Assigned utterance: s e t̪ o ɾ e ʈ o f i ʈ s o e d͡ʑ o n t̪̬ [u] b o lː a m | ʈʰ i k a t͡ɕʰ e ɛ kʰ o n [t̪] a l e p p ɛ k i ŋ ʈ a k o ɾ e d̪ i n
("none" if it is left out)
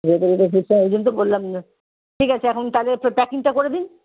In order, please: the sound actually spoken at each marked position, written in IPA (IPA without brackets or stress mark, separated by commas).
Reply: o, t̪